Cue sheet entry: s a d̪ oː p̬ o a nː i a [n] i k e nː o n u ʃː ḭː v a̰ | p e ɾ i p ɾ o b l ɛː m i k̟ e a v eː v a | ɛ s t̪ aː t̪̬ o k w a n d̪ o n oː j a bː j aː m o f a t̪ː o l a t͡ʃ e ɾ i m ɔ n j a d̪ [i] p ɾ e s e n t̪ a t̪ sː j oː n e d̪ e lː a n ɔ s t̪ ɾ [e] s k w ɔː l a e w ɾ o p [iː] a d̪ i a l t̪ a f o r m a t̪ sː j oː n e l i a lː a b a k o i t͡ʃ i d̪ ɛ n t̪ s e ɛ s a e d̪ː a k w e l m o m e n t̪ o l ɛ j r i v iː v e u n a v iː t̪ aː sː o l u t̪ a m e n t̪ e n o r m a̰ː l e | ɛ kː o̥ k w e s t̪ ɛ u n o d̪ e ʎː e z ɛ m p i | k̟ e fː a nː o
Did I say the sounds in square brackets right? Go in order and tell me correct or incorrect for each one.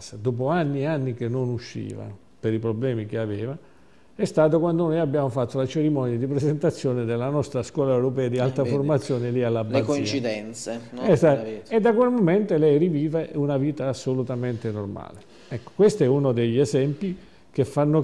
incorrect: nː, correct, incorrect: a, incorrect: ɛː

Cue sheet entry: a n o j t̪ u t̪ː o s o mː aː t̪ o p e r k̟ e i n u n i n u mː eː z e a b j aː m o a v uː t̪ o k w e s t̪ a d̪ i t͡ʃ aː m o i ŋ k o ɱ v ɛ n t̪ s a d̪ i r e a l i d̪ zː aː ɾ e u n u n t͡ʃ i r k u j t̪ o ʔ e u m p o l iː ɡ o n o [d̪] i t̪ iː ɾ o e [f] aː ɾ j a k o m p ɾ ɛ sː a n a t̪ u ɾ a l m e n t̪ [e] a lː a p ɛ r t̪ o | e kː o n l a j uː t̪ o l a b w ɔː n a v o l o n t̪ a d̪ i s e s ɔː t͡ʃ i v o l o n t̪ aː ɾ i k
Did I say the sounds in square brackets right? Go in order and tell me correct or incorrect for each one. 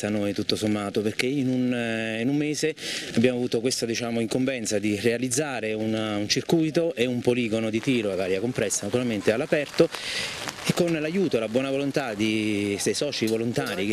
correct, incorrect: v, correct

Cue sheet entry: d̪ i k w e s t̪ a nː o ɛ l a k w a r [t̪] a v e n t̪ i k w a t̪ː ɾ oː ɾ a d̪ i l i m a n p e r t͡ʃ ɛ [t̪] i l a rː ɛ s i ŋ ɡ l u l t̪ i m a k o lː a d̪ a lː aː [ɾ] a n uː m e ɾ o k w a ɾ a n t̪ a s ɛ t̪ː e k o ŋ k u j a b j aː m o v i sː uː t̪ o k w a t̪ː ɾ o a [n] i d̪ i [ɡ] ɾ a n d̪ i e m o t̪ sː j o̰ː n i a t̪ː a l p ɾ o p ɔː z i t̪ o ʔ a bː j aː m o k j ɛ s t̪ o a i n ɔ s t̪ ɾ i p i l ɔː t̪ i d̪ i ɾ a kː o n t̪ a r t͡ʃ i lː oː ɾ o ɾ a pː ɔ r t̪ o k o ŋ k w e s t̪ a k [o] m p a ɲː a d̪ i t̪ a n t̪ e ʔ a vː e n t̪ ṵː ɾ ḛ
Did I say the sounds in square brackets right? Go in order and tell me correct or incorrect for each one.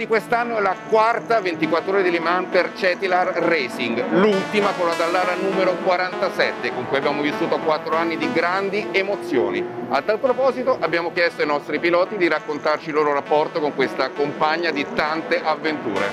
correct, correct, correct, incorrect: nː, correct, correct

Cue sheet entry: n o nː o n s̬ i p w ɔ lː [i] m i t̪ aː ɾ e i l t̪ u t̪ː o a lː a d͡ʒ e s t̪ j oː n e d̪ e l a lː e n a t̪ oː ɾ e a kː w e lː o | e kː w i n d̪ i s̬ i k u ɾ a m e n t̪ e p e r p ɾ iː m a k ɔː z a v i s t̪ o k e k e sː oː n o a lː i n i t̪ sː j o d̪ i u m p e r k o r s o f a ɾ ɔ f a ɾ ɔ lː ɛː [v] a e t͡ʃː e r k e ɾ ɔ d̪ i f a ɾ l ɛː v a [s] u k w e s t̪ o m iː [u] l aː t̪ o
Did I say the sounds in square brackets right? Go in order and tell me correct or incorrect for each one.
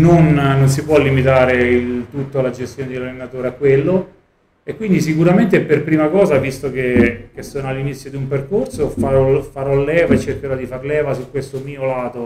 correct, correct, correct, incorrect: o

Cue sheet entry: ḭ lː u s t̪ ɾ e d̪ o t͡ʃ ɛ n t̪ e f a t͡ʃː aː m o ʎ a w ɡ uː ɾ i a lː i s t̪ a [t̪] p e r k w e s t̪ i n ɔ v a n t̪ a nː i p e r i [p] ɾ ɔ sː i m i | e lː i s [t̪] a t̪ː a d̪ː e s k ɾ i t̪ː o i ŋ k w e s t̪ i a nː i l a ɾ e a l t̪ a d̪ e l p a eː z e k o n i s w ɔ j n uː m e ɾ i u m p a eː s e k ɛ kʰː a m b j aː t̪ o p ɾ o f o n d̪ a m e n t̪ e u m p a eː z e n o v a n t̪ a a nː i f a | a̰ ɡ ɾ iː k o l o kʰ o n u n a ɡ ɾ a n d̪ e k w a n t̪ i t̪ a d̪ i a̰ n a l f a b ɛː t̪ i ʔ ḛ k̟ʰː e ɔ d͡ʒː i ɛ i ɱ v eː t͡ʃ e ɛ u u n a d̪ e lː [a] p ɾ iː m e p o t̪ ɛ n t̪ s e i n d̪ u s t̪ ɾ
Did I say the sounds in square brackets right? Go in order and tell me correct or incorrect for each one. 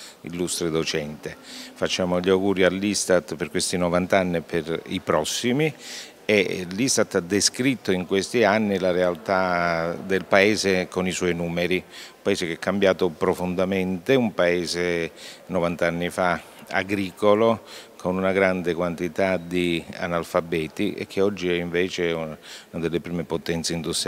correct, correct, correct, incorrect: e

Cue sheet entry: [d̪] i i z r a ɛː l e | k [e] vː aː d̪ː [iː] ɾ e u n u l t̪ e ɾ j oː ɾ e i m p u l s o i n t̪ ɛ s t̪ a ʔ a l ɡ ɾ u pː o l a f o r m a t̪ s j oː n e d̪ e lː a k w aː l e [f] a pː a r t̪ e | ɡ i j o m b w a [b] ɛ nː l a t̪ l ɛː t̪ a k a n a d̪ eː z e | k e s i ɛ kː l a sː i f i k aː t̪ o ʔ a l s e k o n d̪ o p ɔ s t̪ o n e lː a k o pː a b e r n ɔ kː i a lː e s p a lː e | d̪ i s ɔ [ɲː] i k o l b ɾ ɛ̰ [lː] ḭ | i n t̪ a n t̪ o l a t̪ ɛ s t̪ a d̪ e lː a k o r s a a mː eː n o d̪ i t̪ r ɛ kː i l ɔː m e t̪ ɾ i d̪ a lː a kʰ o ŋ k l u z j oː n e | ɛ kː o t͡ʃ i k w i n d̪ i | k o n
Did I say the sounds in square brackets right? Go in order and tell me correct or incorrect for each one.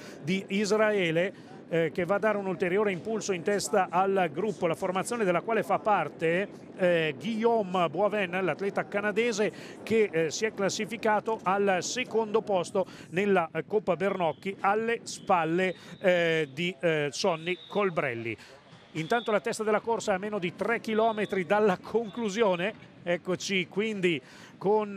correct, correct, incorrect: aː, correct, incorrect: v, incorrect: nː, correct

